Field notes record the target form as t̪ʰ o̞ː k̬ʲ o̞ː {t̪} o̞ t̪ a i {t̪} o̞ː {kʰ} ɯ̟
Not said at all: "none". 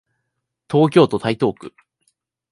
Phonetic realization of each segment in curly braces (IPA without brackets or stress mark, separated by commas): t̪, t̪, k